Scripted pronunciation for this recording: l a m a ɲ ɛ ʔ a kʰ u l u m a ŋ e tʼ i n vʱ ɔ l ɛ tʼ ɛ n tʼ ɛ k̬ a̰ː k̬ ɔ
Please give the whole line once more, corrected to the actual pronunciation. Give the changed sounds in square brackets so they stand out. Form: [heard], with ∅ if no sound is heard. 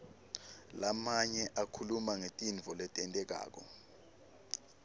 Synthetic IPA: l a m a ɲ ɛ ʔ a kʰ u l u m a ŋ e tʼ i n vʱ ɔ l ɛ tʼ ɛ n tʼ ɛ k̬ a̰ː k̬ ɔ